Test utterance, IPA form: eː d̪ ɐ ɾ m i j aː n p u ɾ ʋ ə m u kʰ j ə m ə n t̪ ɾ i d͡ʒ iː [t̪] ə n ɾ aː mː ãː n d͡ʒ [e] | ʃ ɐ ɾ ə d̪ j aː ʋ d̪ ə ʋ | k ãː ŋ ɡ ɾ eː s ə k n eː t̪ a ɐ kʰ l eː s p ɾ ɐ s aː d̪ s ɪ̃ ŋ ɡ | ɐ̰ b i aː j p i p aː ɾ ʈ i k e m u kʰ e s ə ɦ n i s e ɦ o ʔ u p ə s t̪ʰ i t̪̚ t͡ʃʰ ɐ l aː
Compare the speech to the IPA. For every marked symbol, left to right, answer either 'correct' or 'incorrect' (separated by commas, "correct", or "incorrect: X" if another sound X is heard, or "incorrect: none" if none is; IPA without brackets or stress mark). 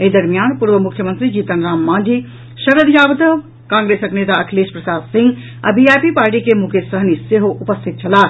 correct, incorrect: i